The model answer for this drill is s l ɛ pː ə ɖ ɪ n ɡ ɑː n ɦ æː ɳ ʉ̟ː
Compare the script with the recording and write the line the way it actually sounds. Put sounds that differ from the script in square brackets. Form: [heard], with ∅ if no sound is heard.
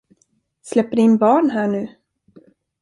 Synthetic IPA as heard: s l ɛ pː ə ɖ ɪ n [b] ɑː [ɳ] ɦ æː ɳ ʉ̟ː